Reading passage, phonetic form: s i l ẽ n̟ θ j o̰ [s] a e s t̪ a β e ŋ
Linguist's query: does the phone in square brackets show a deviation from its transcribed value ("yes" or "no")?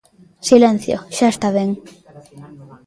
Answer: yes